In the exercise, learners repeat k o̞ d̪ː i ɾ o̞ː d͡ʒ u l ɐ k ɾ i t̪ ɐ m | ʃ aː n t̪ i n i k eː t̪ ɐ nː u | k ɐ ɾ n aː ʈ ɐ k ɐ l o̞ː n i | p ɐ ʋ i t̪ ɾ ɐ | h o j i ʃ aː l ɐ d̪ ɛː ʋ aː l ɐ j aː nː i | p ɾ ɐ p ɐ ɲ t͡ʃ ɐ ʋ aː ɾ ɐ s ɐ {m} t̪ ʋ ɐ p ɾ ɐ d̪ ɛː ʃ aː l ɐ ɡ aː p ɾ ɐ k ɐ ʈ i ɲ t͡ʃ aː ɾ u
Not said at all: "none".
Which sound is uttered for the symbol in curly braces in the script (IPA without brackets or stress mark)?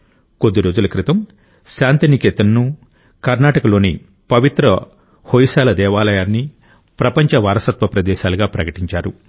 none